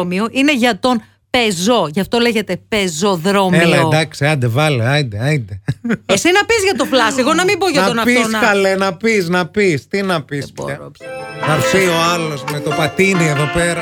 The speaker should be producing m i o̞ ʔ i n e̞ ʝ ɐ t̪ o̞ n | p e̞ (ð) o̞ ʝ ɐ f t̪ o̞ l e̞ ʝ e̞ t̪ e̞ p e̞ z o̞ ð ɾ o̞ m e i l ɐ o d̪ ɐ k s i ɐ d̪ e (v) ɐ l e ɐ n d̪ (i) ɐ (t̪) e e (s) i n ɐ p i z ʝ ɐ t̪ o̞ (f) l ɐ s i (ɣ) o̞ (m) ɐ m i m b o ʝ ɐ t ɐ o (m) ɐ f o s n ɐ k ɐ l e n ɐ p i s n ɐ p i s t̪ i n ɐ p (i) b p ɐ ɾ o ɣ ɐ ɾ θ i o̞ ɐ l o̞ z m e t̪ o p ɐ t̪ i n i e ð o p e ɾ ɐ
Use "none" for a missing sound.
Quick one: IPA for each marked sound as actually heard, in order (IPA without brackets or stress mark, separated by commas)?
z, v, e, d̪, s, f, ɣ, n, n, i